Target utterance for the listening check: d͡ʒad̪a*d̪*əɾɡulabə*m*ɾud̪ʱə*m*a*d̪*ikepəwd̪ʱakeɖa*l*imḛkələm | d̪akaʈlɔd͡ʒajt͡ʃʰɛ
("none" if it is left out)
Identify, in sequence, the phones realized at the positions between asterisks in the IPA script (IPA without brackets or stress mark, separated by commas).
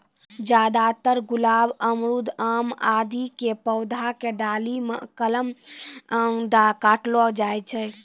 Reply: t̪, m, m, d̪, l